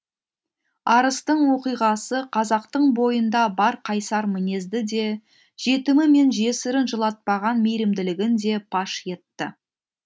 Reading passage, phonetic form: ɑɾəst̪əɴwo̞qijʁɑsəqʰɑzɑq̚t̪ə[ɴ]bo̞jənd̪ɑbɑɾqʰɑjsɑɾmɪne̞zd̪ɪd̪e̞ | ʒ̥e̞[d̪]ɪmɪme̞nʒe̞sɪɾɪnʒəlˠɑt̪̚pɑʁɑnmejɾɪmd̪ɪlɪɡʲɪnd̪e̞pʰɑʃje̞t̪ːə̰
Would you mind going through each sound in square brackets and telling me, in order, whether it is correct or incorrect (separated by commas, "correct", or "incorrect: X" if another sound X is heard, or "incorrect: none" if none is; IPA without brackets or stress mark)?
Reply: correct, incorrect: t̪